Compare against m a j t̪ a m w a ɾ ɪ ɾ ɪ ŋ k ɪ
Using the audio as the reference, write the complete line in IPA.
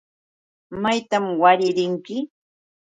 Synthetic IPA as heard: m a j t̪ a m w a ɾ ɪ ɾ ɪ ŋ k ɪ